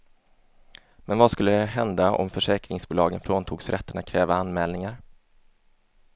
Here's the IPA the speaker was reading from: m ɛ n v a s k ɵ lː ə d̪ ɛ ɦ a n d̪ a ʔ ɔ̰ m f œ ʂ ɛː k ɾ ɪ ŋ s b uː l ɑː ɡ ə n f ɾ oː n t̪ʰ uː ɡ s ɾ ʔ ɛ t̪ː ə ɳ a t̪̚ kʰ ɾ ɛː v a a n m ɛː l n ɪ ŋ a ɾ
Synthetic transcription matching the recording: m ɛ n v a s k ɵ lː ə d̪ ɛ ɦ ɛ n d̪ a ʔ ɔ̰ m f œ ʂ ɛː k ɾ ɪ ŋ s b uː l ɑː ɡ ə n f ɾ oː n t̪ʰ uː ɡ s ɾ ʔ ɛ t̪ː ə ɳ a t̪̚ kʰ ɾ ɛː v a a n m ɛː l n ɪ ŋ a ɾ